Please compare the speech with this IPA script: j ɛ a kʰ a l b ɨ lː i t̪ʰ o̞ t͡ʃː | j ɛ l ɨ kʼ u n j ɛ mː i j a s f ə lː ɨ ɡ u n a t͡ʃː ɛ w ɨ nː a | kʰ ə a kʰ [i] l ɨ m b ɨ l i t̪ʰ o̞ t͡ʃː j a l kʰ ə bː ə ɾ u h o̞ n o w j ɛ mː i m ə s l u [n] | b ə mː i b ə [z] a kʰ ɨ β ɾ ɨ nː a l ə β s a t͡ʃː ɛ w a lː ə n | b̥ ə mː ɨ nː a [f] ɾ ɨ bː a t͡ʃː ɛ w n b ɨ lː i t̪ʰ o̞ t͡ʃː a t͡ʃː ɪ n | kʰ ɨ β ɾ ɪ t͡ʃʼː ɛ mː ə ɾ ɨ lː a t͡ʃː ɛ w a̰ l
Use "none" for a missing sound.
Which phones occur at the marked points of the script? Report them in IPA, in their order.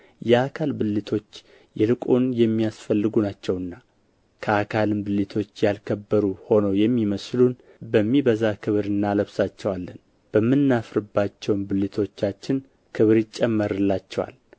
a, n, z, f

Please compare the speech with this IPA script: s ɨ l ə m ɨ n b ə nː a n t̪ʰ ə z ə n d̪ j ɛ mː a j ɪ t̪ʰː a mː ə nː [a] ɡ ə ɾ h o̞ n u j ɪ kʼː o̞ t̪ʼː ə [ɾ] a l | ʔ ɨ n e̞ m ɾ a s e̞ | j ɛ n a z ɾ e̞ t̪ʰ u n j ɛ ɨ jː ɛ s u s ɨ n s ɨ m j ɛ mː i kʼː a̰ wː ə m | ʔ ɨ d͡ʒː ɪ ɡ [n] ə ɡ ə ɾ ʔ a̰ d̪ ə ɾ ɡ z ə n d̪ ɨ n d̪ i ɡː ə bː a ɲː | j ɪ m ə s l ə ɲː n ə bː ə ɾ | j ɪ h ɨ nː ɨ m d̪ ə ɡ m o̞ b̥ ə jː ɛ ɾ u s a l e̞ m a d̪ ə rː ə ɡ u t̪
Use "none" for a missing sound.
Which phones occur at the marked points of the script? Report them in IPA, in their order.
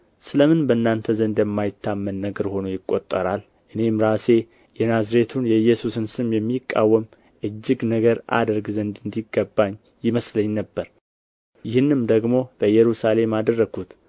ə, ɾ, n

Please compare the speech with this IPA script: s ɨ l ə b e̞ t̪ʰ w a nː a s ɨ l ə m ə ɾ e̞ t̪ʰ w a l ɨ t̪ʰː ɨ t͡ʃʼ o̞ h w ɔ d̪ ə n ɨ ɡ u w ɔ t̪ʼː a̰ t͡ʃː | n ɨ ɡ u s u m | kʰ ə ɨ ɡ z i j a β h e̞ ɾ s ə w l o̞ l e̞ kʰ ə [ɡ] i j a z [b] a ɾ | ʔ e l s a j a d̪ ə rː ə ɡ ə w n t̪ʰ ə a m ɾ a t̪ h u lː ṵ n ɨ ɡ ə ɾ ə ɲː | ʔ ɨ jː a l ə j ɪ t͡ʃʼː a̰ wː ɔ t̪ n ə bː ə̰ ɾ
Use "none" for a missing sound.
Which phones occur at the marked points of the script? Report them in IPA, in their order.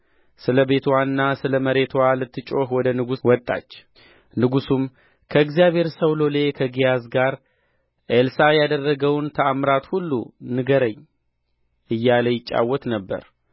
ɡ, ɡ

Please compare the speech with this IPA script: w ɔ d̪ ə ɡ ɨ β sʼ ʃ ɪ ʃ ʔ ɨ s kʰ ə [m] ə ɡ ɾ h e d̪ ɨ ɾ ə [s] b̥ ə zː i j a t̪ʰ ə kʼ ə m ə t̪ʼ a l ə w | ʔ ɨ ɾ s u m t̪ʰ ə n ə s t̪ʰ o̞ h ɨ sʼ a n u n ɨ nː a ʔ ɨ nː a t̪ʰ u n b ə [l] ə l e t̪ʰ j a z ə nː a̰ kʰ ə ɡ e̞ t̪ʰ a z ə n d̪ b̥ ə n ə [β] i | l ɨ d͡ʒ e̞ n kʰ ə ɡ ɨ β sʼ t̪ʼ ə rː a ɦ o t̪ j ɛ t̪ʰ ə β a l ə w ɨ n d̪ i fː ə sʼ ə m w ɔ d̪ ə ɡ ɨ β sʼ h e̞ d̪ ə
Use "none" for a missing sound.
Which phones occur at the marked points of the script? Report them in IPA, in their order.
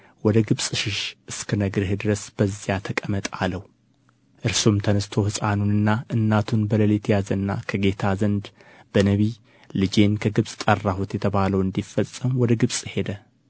n, s, l, β

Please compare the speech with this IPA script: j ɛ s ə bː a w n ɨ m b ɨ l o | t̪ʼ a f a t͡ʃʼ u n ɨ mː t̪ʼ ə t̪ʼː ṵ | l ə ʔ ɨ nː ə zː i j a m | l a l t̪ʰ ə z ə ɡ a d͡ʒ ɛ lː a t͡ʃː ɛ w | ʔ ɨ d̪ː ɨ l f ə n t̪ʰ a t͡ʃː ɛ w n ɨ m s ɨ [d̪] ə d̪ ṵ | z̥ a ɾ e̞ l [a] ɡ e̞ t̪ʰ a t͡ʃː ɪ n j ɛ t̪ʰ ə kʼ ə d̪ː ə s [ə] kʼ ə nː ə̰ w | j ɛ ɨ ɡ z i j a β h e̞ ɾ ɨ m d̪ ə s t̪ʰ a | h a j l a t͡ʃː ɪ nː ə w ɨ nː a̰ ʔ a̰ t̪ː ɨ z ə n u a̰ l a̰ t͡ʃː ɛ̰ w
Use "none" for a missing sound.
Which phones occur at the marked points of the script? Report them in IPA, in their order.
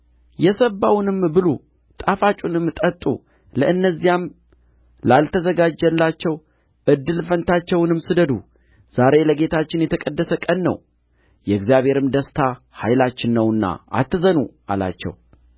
d̪, ə, ə

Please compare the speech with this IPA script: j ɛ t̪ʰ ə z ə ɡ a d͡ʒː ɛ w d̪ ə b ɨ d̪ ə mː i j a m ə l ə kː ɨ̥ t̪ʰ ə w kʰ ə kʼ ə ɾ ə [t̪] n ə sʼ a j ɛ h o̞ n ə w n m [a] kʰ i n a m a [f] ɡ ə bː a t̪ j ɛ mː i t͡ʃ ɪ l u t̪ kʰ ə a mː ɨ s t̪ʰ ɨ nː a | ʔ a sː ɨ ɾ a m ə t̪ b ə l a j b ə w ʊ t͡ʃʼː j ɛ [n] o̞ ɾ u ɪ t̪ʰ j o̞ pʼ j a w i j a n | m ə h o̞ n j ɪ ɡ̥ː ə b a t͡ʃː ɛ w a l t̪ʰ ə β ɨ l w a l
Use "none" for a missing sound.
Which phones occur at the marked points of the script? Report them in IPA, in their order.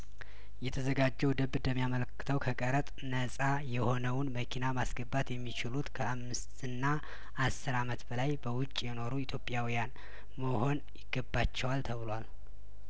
t̪ʼ, ə, s, n

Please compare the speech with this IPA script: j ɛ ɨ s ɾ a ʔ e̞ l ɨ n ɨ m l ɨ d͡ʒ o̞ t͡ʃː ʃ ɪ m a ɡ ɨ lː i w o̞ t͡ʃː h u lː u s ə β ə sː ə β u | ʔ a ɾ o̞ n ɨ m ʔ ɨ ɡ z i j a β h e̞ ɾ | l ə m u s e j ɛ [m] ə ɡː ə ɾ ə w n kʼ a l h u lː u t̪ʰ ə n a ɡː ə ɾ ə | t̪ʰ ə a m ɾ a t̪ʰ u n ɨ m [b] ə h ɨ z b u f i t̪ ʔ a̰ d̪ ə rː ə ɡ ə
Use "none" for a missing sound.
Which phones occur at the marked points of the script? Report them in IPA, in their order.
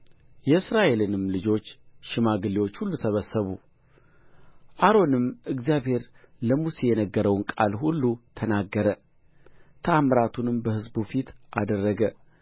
n, b

